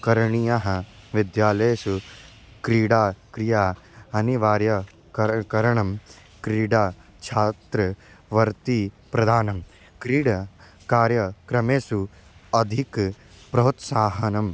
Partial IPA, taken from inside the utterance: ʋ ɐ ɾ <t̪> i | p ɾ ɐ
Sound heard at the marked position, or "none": t̪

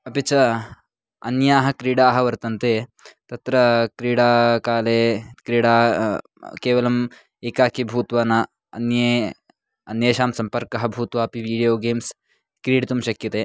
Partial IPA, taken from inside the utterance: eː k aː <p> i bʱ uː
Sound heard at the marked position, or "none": k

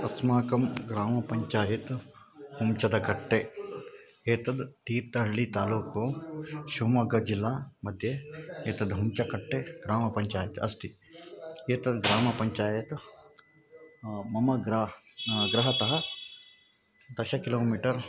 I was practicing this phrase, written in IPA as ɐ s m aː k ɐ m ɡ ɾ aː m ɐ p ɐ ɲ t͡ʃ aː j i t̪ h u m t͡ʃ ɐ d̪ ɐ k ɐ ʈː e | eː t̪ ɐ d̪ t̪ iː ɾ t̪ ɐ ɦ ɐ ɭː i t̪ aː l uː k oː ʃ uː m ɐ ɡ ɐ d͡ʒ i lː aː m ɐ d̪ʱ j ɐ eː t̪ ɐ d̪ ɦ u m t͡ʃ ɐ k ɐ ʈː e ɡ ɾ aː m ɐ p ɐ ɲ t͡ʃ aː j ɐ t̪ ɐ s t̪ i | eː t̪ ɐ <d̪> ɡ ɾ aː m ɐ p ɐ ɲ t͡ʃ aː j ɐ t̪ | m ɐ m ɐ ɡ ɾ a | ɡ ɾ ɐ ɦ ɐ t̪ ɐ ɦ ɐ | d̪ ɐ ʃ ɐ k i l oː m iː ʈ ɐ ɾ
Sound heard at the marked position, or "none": d̪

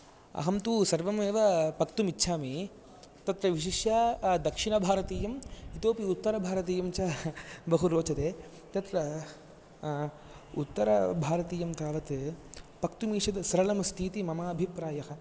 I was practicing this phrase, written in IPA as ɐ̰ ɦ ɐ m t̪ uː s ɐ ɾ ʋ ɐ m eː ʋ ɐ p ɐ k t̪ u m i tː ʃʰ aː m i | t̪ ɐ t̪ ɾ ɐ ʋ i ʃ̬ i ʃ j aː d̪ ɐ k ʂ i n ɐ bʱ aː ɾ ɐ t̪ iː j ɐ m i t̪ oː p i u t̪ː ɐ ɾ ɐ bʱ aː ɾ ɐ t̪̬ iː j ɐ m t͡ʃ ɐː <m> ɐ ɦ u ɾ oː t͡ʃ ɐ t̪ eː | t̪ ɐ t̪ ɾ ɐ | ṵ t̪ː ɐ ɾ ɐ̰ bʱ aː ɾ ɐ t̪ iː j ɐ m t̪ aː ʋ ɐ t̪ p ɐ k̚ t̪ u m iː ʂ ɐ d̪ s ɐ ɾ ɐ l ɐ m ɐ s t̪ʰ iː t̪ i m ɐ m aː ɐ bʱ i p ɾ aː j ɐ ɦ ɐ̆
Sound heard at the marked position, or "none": b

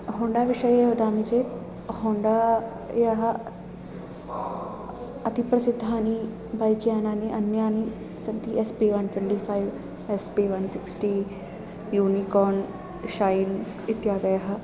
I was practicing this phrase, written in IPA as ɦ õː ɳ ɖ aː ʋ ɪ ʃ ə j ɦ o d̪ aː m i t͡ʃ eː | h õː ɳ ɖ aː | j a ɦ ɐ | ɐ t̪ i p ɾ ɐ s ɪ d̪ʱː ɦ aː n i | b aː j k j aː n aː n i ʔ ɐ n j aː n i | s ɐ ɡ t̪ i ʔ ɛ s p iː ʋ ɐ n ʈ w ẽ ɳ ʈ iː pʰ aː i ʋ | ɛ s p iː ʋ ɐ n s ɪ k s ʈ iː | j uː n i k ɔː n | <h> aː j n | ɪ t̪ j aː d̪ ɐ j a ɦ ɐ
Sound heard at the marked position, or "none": ʃ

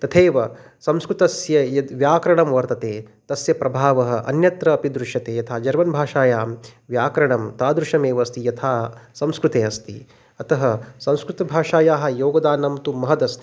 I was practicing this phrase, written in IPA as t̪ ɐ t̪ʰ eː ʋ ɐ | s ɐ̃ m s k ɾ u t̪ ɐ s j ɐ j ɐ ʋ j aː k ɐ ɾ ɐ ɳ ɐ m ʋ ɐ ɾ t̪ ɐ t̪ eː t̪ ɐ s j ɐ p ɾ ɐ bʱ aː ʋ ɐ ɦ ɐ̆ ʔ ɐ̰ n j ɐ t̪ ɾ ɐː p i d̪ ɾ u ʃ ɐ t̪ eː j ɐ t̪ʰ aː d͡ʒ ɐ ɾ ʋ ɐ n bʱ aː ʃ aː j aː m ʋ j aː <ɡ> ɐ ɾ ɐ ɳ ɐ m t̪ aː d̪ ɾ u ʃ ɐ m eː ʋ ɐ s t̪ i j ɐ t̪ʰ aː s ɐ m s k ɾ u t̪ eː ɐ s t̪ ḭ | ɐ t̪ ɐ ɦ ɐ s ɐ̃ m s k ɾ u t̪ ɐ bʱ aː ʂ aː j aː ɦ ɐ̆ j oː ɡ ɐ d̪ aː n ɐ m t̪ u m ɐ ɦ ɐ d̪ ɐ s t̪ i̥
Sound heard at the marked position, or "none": k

